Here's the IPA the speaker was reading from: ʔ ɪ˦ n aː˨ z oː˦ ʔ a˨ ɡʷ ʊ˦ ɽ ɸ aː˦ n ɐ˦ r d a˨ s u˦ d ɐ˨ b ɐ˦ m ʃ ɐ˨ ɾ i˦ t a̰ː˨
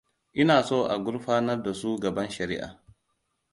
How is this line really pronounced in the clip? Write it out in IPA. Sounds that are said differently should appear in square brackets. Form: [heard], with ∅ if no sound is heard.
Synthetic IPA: ʔ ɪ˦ n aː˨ [s] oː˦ ʔ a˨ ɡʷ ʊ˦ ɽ ɸ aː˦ n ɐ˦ r d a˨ s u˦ [ɡ] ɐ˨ b ɐ˦ [n] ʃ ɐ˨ ɾ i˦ [ʔ] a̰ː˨

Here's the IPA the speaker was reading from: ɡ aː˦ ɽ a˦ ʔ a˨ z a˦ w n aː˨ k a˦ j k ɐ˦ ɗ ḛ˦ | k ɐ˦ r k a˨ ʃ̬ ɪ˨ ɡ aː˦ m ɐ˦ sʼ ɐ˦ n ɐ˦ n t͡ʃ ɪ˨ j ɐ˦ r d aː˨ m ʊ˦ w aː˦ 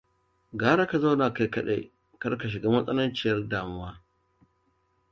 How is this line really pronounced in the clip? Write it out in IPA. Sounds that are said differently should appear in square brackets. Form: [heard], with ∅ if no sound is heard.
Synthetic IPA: ɡ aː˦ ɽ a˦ [k] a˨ z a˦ w n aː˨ k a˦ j k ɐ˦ ɗ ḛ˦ | k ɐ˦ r k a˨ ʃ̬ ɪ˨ ɡ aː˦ m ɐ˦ sʼ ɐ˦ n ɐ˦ n t͡ʃ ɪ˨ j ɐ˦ r d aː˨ m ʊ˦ w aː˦

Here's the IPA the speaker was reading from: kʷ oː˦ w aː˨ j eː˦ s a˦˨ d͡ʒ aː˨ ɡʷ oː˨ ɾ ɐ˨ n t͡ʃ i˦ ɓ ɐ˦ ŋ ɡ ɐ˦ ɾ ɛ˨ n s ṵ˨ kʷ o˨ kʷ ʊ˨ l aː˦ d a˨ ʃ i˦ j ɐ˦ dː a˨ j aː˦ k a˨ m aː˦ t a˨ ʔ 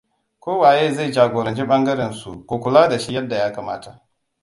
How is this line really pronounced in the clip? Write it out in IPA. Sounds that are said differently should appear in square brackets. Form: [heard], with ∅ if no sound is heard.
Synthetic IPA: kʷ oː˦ w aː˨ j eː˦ [z] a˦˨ d͡ʒ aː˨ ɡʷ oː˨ ɾ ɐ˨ n t͡ʃ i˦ ɓ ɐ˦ ŋ ɡ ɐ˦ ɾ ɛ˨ n s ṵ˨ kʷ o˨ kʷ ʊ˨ l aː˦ d a˨ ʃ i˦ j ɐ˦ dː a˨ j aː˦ k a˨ m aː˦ t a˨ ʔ

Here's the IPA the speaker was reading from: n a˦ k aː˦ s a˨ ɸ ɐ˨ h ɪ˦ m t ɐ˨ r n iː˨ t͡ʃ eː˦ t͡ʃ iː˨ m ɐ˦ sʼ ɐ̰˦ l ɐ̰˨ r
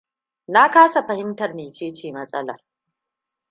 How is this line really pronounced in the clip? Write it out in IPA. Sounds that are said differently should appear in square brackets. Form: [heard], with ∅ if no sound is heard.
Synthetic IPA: n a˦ k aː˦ s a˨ ɸ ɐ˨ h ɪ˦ m t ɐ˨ r n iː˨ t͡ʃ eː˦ t͡ʃ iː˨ m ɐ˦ sʼ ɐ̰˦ l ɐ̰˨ r

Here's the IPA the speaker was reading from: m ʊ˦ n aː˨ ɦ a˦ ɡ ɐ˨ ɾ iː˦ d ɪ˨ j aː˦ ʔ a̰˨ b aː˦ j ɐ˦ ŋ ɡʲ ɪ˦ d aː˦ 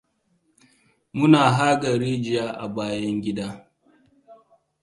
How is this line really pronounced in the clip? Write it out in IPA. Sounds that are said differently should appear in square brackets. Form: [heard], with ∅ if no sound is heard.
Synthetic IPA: m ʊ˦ n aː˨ ɦ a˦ ɡ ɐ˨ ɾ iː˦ [d͡ʒ] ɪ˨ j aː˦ ʔ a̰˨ b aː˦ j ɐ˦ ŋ ɡʲ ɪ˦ d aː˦

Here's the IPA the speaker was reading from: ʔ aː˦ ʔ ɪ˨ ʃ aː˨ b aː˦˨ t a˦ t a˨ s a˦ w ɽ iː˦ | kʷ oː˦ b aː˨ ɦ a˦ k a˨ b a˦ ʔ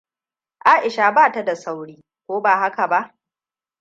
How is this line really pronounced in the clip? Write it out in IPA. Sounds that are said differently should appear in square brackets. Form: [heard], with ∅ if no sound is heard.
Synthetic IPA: ʔ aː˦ ʔ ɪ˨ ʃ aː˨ b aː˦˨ t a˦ [d] a˨ s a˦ w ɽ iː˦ | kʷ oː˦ b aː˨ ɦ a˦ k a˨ b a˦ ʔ

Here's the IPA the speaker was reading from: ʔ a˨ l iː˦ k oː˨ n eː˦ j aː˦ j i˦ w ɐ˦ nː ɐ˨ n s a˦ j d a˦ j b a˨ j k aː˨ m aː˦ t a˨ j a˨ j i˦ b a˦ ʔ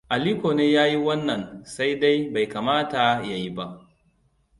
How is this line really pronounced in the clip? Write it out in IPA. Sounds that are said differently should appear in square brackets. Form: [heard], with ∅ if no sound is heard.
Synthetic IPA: ʔ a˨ l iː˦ k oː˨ n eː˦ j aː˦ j i˦ w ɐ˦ nː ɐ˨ n s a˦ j d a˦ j b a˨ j k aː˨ m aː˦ t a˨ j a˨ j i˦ b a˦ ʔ

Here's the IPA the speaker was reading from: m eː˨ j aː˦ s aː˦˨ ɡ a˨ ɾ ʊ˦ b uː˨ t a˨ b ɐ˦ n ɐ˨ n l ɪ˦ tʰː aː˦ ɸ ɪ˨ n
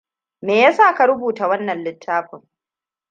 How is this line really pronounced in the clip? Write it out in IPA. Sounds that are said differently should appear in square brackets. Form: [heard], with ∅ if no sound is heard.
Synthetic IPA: m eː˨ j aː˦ s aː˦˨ [k] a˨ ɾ ʊ˦ b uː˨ t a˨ [w] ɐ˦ [nː] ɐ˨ n l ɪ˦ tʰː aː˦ ɸ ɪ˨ [ŋ]

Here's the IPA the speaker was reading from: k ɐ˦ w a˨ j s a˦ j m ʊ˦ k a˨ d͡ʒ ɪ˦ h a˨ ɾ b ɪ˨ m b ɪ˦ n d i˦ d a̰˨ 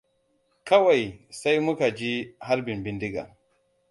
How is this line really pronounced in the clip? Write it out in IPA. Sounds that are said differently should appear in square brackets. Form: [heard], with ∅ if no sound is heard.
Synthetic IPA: k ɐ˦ w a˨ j s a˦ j m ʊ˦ k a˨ d͡ʒ [i˦] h [a˦] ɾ b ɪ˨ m b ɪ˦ n d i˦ [ɡ] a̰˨

